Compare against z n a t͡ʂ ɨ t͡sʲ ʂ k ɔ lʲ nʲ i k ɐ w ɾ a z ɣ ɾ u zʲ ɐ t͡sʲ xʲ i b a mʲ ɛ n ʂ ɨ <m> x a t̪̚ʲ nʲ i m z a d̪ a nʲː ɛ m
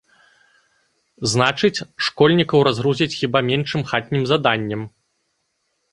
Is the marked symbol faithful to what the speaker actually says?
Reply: yes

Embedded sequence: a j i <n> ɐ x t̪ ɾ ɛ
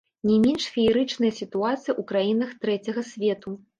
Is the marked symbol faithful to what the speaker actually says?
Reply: yes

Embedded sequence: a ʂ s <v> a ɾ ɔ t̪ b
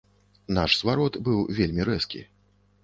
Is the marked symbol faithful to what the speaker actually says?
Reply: yes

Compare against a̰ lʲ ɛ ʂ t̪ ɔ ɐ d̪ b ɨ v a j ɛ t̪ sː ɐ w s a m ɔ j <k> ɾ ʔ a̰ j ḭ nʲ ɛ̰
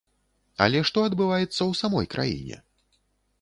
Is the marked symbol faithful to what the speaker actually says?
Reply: yes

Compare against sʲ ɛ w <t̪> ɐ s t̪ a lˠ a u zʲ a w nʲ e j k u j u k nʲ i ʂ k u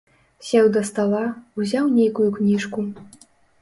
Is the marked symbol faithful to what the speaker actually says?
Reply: no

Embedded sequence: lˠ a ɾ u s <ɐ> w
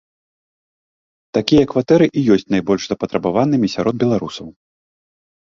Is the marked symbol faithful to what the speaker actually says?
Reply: yes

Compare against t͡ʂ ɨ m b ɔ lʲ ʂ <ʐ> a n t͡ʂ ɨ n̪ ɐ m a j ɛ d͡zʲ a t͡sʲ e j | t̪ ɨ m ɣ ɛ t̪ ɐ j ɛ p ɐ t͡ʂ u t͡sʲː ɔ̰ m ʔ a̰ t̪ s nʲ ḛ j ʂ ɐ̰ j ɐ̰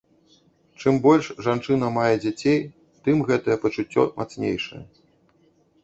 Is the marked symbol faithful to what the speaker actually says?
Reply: yes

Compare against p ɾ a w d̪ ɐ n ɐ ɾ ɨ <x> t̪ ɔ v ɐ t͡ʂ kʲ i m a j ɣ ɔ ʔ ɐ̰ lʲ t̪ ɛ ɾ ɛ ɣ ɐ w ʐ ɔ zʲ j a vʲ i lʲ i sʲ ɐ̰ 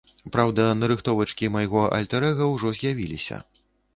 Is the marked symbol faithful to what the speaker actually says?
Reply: yes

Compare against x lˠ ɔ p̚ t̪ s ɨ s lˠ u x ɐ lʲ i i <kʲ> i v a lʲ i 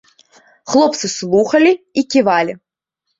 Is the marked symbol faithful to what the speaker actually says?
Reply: yes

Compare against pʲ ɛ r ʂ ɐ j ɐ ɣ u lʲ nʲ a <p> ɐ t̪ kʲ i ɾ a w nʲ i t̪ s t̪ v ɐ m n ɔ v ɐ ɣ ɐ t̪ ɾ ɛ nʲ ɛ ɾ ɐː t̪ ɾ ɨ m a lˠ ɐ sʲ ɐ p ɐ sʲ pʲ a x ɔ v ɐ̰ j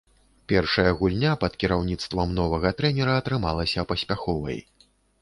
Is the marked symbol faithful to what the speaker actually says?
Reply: yes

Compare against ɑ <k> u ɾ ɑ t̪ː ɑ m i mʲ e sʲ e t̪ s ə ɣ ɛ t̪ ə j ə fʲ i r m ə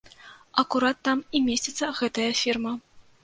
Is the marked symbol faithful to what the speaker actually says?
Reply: yes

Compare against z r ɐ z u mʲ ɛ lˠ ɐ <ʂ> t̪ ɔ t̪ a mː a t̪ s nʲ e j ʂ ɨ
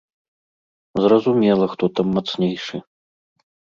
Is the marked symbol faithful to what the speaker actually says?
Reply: no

